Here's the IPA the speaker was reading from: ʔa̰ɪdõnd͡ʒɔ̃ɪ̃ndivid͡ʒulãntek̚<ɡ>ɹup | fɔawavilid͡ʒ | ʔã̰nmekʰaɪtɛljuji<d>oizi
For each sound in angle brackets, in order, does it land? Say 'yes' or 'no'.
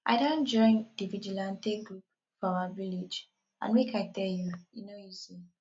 yes, no

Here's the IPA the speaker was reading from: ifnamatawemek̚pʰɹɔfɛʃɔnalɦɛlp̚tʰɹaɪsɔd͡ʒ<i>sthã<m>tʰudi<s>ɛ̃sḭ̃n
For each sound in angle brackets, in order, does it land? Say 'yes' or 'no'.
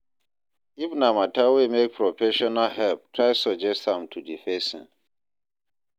no, yes, no

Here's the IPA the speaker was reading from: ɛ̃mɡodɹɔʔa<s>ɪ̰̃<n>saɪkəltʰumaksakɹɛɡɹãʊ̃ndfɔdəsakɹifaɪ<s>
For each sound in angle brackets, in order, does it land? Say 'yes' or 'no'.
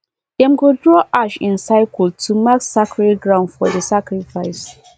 no, yes, yes

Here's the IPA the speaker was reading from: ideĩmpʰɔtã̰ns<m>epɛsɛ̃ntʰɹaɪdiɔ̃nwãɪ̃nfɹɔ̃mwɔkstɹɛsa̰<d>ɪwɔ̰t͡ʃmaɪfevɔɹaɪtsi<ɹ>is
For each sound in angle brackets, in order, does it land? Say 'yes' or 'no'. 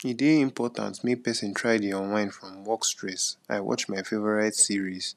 yes, no, yes

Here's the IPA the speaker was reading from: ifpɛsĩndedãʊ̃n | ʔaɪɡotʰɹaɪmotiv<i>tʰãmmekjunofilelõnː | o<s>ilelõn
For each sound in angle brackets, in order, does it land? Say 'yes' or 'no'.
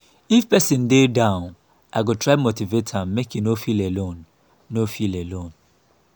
no, no

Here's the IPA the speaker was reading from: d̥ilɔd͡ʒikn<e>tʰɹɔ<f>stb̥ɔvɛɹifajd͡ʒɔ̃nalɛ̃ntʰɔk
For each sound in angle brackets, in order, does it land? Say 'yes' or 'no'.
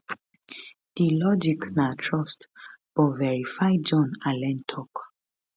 no, no

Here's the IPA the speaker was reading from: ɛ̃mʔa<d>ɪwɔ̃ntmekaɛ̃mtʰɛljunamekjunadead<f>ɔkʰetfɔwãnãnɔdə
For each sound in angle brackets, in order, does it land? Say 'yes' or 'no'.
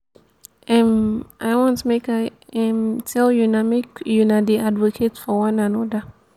no, no

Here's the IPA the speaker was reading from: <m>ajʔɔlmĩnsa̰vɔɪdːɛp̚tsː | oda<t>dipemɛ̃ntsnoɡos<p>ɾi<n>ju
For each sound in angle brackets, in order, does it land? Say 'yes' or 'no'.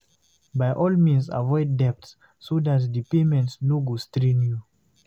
no, yes, no, yes

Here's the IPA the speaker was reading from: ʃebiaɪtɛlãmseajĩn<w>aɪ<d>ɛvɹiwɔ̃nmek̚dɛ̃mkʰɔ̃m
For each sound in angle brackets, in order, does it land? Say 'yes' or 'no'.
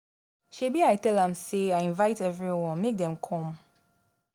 no, no

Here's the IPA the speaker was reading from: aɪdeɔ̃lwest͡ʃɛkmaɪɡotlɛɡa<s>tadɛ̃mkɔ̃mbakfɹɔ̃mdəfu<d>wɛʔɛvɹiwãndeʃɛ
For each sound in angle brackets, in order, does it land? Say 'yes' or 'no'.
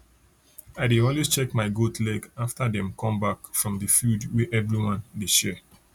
no, yes

